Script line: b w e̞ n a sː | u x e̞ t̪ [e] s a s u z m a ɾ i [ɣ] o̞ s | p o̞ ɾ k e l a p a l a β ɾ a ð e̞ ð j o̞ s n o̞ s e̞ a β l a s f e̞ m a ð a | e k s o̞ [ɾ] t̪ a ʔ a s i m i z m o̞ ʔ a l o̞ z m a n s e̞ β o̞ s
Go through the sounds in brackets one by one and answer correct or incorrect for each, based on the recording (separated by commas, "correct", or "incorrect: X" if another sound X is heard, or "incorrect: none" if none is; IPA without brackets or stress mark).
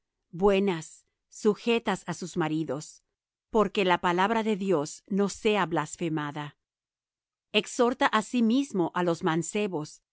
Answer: incorrect: a, incorrect: ð, correct